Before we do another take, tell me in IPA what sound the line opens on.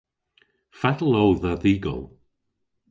f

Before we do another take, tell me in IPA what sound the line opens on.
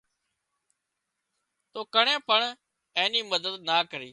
t̪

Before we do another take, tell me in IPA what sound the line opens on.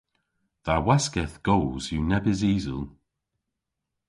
ð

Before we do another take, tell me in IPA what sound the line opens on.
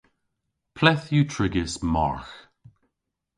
pʰ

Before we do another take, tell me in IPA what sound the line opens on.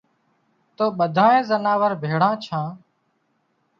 t̪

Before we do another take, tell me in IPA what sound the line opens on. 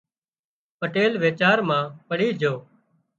p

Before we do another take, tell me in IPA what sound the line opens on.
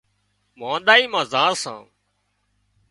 m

